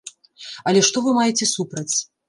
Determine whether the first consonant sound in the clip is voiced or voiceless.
voiced